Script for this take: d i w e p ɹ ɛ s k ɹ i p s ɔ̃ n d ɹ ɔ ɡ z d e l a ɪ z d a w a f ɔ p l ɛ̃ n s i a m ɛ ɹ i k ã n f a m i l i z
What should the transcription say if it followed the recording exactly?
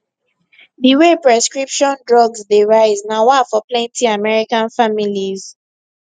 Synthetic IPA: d i w e p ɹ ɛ s k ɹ i p ʃ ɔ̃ n d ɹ ɔ ɡ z d e ɹ a ɪ z n a w a f ɔ p l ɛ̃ n t i a m ɛ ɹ i k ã n f a m i l i z